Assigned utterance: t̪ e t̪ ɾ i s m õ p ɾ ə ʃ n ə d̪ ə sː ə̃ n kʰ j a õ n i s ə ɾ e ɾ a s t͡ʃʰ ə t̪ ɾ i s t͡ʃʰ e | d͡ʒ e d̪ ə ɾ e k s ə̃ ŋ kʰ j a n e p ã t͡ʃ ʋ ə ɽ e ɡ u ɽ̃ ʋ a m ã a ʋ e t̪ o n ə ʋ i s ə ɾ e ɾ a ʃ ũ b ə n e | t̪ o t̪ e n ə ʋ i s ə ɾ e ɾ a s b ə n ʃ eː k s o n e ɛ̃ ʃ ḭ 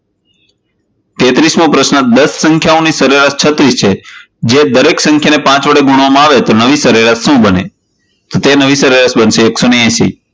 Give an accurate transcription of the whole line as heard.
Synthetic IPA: t̪ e t̪ ɾ i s m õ p ɾ ə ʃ n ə d̪ ə sː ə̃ ŋ kʰ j a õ n i s ə ɾ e ɾ a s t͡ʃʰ ə t̪ ɾ i s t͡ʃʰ e | d͡ʒ e d̪ ə ɾ e k s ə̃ ŋ kʰ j a n e p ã t͡ʃ ʋ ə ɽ e ɡ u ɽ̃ ʋ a m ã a ʋ e t̪ o n ə ʋ i s ə ɾ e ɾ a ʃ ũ b ə n e | t̪ o t̪ e n ə ʋ i s ə ɾ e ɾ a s b ə n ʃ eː k s o n e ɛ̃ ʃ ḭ